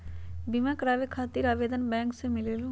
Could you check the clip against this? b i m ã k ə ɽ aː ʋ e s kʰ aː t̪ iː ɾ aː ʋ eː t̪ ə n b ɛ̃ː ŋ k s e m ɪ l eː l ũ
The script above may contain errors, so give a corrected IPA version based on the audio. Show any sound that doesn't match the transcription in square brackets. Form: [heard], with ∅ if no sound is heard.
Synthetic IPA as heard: b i m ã k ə [ɾ] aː ʋ e [∅] kʰ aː t̪ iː ɾ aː ʋ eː [d̪] ə n b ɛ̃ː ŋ k s e m ɪ l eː l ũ